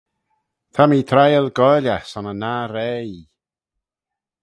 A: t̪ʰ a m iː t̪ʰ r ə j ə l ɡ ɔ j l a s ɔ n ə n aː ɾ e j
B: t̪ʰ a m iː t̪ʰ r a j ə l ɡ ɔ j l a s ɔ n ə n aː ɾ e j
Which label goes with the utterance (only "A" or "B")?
B